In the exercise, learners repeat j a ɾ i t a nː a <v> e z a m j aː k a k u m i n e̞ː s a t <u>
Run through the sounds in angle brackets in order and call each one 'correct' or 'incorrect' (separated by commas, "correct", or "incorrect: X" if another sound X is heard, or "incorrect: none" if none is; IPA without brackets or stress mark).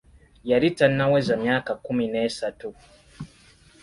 incorrect: w, correct